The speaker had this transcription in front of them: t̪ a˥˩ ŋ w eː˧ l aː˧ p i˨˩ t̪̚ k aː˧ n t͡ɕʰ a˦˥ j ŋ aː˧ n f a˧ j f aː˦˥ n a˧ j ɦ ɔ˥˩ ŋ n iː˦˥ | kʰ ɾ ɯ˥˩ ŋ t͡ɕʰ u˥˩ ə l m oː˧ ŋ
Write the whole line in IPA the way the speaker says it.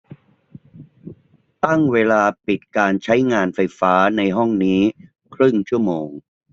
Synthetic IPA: t̪ a˥˩ ŋ w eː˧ l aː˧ p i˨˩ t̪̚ k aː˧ n t͡ɕʰ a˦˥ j ŋ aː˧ n f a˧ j f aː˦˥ n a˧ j ɦ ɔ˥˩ ŋ n iː˦˥ | kʰ ɾ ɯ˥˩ ŋ t͡ɕʰ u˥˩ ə m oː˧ ŋ